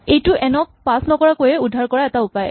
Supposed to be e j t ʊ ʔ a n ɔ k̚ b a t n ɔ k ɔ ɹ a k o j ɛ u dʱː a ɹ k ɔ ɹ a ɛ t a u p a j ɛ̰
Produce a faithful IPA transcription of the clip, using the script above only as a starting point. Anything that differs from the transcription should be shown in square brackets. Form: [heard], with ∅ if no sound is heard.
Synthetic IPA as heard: e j t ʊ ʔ [ɛ] n ɔ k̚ [p] a [s] n ɔ k ɔ ɹ a k o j ɛ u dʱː a ɹ k ɔ ɹ a ɛ t a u p a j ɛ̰